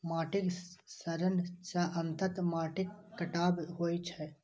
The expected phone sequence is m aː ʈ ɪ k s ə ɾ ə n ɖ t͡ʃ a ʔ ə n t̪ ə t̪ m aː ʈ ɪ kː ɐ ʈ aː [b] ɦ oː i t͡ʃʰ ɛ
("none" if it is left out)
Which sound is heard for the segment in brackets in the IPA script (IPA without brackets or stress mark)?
b